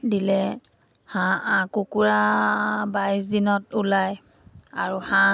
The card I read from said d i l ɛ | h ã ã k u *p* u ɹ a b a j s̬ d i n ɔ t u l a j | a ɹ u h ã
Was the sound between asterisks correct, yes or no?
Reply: no